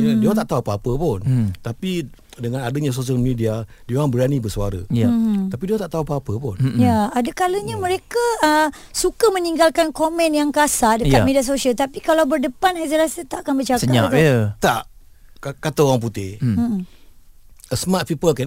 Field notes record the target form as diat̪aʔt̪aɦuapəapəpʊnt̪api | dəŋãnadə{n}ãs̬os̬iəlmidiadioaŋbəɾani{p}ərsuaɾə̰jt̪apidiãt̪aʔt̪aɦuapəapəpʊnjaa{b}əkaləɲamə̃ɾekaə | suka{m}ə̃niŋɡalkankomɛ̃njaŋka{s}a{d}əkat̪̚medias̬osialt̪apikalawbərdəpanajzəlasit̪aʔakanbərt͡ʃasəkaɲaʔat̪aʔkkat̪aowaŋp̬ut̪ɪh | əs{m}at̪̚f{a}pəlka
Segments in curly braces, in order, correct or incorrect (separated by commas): incorrect, incorrect, incorrect, correct, correct, correct, correct, incorrect